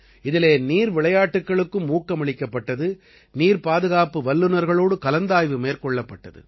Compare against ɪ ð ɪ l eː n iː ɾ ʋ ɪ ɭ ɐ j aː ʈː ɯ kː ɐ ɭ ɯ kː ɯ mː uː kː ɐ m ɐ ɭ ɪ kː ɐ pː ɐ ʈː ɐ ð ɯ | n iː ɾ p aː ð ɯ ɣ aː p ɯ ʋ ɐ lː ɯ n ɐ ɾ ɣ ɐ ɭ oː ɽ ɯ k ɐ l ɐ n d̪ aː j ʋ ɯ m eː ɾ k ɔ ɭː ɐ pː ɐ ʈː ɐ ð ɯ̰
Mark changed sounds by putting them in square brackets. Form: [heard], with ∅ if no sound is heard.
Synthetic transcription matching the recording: ɪ ð ɪ l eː n iː ɾ ʋ ɪ ɭ ɐ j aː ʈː ɯ kː ɐ ɭ ɯ kː ɯ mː uː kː ɐ m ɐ ɭ ɪ kː ɐ pː ɐ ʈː ɐ ð ɯ | n iː ɾ p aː ð ɯ ɣ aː p ɯ ʋ ɐ lː ɯ n ɐ ɾ ɣ ɐ ɭ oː ɽ ɯ k ɐ l ɐ n d̪ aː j ʋ ɯ m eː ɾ k ɔ ɭː ɐ pː ɐ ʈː ɐ ð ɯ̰